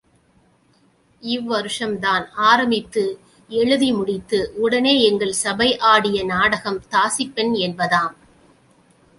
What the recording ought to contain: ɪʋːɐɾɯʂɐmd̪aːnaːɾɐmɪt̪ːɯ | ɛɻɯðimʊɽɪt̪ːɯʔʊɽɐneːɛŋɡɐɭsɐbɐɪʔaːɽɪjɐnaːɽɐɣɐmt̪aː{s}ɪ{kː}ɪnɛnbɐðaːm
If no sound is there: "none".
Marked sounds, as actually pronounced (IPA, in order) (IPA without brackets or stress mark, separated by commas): s, pː